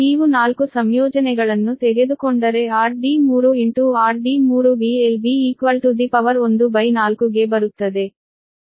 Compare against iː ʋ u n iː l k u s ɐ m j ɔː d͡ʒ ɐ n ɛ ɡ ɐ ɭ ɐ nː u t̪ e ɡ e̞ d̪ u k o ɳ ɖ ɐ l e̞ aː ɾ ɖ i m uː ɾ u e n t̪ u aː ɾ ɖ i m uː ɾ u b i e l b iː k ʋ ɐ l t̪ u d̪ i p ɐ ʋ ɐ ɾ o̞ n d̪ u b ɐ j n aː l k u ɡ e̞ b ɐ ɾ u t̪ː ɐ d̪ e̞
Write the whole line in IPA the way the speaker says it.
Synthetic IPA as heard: iː ʋ u n aː l k u s ɐ m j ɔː d͡ʒ ɐ n ɛ ɡ ɐ ɭ ɐ nː u t̪ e ɡ e̞ d̪ u k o ɳ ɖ ɐ ɾ e̞ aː ɾ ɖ i m uː ɾ u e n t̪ u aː ɾ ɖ i m uː ɾ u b i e l b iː k ʋ ɐ l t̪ u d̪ i p ɐ ʋ ɐ ɾ o̞ n d̪ u b ɐ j n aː l k u ɡ e̞ b ɐ ɾ u t̪ː ɐ d̪ e̞